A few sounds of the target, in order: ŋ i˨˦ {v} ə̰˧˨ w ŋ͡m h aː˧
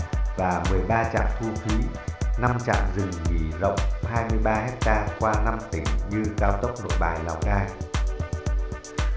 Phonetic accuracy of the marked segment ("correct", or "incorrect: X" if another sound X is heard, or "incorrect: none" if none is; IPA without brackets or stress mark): incorrect: z